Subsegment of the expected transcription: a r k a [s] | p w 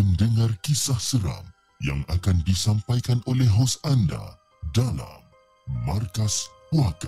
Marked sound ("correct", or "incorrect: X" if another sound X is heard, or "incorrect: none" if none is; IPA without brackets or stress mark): correct